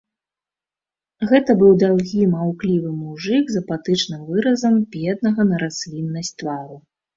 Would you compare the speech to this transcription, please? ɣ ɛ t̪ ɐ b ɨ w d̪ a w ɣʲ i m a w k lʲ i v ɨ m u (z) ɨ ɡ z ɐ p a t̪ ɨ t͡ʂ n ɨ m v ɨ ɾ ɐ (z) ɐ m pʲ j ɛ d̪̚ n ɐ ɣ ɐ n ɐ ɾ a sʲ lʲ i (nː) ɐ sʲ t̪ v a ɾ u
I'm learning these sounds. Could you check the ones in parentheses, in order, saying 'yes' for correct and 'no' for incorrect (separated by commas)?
no, yes, yes